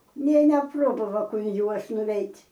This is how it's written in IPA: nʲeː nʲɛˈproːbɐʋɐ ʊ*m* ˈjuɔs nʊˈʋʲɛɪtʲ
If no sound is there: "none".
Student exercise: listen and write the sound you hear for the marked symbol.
n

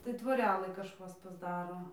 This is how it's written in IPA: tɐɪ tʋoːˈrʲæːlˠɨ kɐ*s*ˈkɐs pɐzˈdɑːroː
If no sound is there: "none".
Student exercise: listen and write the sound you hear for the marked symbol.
ʃ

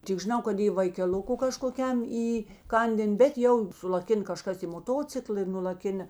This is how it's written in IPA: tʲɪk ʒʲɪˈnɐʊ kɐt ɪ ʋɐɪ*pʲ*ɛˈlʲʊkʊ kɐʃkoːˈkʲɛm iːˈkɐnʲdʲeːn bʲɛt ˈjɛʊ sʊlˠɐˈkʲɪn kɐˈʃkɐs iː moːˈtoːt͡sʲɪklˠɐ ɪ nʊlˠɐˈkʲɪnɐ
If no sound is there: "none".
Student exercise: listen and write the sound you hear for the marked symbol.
kʲ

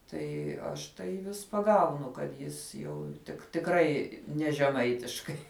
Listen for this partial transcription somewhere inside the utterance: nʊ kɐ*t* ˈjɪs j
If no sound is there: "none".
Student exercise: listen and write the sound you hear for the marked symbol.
t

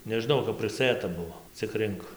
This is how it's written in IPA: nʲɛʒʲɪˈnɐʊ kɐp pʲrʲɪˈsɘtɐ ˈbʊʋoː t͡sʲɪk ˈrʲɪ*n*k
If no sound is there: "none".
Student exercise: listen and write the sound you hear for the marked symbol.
ŋ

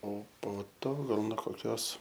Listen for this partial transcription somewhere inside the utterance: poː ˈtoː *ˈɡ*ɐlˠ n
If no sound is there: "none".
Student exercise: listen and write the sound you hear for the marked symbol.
ɡ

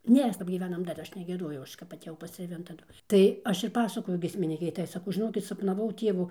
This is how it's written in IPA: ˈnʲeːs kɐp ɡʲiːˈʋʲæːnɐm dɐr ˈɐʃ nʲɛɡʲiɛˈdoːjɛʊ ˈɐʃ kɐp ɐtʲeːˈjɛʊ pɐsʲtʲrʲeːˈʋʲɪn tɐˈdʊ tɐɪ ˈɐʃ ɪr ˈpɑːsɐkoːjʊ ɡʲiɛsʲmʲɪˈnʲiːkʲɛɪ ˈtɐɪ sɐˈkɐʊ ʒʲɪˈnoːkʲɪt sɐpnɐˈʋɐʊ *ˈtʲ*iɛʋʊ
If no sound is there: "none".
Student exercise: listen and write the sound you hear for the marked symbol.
tʲ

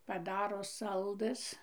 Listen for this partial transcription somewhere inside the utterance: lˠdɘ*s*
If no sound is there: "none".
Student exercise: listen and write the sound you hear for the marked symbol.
s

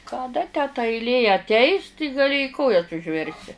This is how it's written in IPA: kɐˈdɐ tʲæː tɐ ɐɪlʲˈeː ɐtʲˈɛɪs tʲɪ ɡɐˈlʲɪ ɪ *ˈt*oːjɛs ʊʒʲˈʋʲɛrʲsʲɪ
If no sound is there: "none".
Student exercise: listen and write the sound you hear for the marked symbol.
k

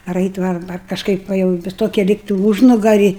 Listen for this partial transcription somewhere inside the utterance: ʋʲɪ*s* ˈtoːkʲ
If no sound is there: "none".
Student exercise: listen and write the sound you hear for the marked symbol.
s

